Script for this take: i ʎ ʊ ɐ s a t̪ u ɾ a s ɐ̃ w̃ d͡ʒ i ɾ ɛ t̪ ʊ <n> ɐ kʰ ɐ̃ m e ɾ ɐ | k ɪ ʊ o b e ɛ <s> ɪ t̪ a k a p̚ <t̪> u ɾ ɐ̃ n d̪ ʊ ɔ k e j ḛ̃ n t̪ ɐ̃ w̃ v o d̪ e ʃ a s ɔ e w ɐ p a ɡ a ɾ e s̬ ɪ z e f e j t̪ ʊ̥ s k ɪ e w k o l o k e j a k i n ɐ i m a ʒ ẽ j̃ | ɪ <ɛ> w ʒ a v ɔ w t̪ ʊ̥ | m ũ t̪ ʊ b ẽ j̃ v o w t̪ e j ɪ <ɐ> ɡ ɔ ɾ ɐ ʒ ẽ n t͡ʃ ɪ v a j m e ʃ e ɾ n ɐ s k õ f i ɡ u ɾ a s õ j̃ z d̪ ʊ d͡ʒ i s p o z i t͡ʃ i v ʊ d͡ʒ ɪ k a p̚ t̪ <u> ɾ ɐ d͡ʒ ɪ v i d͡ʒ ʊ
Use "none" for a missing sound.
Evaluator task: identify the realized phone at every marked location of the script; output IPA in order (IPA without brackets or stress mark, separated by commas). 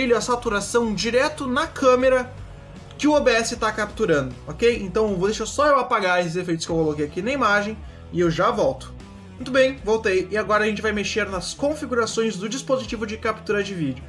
n, s, t̪, e, a, u